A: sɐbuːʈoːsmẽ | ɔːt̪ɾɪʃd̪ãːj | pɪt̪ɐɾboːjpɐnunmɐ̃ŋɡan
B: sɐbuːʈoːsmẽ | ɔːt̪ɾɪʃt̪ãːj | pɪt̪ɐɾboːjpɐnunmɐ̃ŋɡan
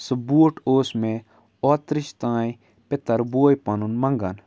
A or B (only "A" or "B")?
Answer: B